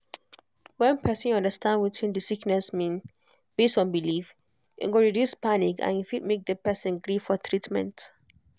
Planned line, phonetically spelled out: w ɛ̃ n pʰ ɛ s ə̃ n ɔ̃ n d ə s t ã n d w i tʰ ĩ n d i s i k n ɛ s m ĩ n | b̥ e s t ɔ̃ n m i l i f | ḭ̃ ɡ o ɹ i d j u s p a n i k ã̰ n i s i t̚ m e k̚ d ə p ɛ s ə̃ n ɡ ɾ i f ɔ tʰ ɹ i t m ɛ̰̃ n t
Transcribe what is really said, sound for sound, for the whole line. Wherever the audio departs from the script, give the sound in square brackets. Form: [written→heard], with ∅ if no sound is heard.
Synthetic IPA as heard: w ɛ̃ n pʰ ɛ s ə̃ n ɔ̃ n d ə s t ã n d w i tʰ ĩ n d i s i k n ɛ s m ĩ n | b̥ e s t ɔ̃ n [m→b] i l i f | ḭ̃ ɡ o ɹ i d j u s p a n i k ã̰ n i [s→f] i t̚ m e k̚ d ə p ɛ s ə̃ n ɡ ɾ i f ɔ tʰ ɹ i t m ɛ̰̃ n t

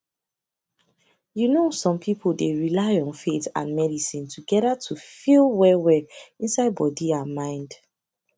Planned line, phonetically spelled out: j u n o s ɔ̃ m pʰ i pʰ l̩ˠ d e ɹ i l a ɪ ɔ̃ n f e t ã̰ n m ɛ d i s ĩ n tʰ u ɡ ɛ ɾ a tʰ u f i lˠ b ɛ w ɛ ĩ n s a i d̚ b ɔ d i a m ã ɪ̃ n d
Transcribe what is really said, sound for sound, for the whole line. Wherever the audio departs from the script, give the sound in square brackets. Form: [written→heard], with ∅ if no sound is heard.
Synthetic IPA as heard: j u n o s ɔ̃ m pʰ i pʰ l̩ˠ d e ɹ i l a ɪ ɔ̃ n f e t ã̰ n m ɛ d i s ĩ n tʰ u ɡ ɛ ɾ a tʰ u f i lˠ [b→w] ɛ w ɛ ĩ n s a [i→ɪ] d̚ b ɔ d i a m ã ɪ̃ n d

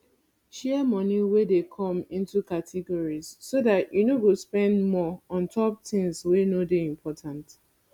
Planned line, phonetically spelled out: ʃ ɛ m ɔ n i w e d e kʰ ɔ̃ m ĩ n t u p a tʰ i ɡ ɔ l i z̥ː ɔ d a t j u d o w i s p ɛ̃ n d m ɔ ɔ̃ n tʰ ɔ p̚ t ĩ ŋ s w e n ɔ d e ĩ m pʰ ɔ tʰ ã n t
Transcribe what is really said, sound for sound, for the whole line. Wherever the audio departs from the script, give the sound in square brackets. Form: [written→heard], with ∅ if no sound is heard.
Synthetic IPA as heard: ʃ ɛ m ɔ n i w e d e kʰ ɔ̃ m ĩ n t u [p→k] a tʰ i ɡ ɔ [l→ɹ] i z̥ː [ɔ→o] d a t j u [d→n] o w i s p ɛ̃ n d m ɔ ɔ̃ n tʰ ɔ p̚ t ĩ ŋ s w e n [ɔ→o] d e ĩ m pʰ ɔ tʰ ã n t

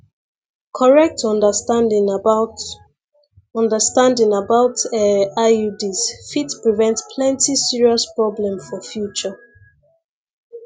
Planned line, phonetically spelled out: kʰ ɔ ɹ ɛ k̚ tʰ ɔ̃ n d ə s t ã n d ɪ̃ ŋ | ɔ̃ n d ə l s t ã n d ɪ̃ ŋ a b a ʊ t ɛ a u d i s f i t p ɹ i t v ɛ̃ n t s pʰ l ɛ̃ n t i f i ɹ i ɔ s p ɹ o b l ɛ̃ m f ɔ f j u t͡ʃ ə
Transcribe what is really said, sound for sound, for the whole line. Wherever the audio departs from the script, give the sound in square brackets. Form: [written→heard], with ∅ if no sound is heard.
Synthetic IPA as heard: kʰ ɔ ɹ ɛ k̚ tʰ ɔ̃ n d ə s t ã n d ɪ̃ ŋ | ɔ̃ n d ə [l→∅] s t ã n d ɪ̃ ŋ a b a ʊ t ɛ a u d i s f i t p ɹ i [t→∅] v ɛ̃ n t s pʰ l ɛ̃ n t i [f→s] i ɹ i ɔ s p ɹ [o→ɔ] b l ɛ̃ m f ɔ f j u t͡ʃ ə

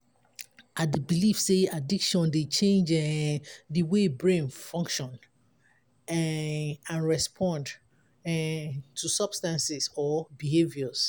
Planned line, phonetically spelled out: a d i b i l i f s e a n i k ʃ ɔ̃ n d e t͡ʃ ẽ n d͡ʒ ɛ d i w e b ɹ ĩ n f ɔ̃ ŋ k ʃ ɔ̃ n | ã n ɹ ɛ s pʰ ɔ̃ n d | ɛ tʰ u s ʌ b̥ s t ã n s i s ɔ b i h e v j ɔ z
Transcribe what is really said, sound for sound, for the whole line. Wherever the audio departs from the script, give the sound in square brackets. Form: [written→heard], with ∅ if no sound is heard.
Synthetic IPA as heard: a d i b i l i f s e a [n→d] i k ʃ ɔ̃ n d e t͡ʃ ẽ n d͡ʒ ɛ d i w e b ɹ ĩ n f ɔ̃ ŋ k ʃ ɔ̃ n | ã n ɹ ɛ s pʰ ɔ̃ n d | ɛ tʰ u s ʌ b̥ s t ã n s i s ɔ b i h e v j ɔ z

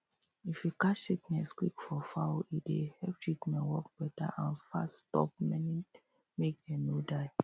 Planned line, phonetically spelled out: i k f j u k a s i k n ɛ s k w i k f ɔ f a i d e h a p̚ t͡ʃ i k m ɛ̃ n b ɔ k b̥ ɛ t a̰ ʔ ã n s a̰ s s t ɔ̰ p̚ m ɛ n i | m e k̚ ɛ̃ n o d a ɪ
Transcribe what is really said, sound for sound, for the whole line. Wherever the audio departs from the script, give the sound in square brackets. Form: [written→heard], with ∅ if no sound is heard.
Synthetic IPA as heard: i [k→∅] f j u k a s i k n ɛ s k w i k f ɔ f a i d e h [a→ɛ] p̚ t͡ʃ i k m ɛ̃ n [b→w] ɔ k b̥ ɛ t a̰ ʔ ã n [s→f] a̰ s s t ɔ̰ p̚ m ɛ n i | m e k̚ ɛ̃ n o d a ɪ

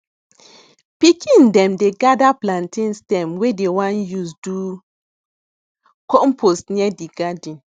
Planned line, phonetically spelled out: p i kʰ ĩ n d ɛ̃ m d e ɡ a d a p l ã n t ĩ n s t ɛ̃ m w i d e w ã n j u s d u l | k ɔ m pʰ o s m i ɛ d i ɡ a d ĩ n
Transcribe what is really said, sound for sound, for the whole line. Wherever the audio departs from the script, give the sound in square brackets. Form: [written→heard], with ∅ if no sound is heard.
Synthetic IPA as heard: p i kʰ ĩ n d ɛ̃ m d e ɡ a d a p l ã n t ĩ n s t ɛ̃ m w [i→e] d e w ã n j u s d u [l→∅] | k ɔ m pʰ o s [m→n] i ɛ d i ɡ a d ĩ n

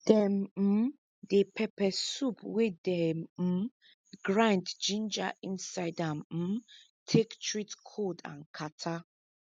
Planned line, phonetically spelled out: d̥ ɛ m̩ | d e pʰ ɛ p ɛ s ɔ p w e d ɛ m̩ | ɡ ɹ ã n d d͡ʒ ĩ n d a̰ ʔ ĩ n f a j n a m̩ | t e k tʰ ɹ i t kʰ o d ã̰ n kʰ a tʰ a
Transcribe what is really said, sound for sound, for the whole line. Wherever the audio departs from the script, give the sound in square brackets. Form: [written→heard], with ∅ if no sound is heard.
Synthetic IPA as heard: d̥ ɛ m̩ | d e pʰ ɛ p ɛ s [ɔ→u] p w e d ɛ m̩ | ɡ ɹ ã n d d͡ʒ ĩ n [d→d͡ʒ] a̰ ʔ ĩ n [f→s] a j [n→d] a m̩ | [t→tʰ] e k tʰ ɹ i t kʰ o d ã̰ n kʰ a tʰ a

